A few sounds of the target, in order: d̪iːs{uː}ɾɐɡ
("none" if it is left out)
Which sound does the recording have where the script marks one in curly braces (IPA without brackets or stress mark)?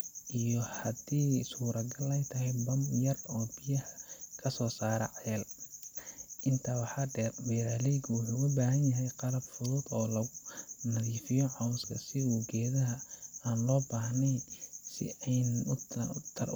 uː